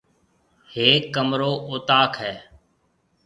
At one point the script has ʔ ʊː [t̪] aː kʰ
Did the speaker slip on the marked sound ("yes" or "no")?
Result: no